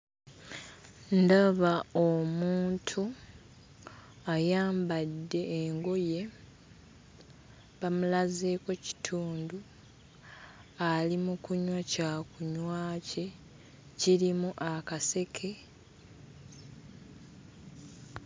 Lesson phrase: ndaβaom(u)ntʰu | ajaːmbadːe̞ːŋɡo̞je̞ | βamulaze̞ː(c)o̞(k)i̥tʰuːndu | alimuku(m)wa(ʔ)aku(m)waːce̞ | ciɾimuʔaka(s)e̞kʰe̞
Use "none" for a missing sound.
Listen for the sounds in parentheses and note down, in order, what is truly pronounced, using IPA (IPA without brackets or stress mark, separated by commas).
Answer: uː, k, c, ɲ, c, ɲ, s